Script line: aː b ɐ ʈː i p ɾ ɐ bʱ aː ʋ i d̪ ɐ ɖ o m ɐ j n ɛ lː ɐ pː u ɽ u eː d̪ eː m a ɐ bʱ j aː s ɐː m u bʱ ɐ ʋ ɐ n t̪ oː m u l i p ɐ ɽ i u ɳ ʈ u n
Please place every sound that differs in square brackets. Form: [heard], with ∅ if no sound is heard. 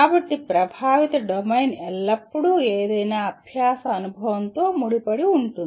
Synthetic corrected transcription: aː b ɐ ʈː i p ɾ ɐ bʱ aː ʋ i [t̪] ɐ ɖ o m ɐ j n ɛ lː ɐ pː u ɽ u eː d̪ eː [n] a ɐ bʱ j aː s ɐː [n] u bʱ ɐ ʋ ɐ n t̪ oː m u [ɽ] i p ɐ ɽ i u ɳ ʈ u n